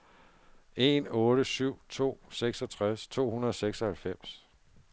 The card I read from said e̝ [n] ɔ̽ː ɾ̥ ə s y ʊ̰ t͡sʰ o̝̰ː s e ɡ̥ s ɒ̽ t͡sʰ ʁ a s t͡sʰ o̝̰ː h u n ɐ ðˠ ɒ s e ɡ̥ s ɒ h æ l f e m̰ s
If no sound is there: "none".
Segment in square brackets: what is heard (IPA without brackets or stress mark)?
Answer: n